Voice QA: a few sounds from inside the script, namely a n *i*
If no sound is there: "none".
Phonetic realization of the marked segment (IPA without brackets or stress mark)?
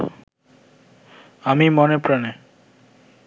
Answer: e